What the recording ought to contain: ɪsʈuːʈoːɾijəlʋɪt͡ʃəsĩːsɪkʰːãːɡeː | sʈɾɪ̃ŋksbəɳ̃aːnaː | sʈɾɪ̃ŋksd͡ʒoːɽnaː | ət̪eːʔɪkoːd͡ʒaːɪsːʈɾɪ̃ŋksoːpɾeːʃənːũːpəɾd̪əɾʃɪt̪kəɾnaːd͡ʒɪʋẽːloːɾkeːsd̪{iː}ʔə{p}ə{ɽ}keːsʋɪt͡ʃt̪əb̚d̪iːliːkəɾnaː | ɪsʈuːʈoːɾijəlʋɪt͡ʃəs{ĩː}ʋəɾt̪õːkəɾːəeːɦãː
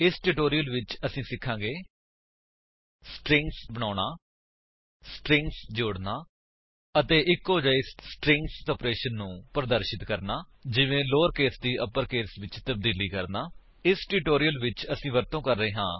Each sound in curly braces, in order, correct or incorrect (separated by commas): correct, correct, incorrect, correct